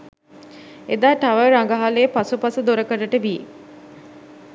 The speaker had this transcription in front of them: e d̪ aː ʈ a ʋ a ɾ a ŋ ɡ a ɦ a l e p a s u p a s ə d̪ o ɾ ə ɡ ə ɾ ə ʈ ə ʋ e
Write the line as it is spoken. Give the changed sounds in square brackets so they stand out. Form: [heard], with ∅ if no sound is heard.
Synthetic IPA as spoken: e d̪ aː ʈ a ʋ [ə] ɾ a ŋ ɡ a ɦ a l e p a s u p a s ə d̪ o ɾ ə [k] ə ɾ ə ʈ ə ʋ [i]

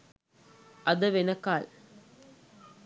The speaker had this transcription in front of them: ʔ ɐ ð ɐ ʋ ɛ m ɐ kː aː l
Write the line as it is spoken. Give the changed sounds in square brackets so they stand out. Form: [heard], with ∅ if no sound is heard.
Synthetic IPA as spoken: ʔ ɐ ð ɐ ʋ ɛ [n] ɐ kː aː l

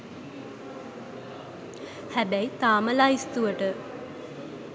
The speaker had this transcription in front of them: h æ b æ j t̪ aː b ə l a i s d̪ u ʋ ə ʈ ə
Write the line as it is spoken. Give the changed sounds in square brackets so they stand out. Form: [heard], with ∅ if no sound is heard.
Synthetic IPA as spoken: h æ b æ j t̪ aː [m] ə l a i s [t̪] u ʋ ə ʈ ə

